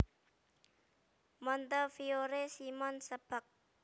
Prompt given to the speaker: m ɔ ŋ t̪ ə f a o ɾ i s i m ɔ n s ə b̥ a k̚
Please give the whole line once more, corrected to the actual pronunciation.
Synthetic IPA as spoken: m ɔ n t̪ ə f i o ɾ e s i m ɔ n s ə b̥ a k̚